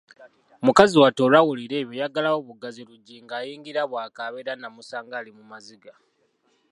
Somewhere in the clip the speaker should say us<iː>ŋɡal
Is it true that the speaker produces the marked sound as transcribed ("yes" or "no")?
no